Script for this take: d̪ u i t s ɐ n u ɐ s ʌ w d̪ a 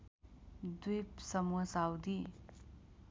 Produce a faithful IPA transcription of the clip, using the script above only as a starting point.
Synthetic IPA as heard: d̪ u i p s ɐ m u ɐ s a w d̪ i